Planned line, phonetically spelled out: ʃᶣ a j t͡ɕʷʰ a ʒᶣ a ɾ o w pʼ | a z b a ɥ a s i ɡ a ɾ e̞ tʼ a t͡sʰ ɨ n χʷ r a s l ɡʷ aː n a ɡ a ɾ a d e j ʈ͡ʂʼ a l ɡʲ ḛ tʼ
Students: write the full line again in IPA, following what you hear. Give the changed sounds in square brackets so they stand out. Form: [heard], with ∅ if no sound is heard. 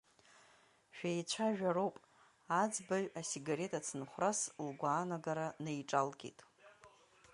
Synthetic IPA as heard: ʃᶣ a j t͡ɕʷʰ a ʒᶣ a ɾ o w pʼ | a [d͡z] b a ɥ a s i ɡ a ɾ e̞ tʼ a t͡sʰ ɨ n χʷ r a s l ɡʷ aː n a ɡ a ɾ a [n] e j ʈ͡ʂʼ a l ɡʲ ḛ tʼ